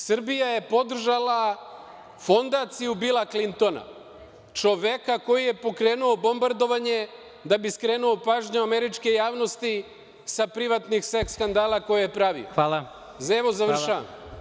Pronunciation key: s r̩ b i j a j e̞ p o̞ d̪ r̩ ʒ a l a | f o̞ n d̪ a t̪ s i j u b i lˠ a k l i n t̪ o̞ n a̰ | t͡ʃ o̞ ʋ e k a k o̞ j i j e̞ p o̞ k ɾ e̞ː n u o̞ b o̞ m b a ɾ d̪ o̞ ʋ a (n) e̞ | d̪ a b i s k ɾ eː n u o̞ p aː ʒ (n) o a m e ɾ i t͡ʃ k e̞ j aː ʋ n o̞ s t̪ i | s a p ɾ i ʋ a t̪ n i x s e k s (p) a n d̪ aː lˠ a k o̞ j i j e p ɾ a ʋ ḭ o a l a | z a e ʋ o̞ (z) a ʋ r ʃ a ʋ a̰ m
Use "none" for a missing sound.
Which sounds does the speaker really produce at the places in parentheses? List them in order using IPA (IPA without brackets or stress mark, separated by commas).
ɲ, ɲ, k, z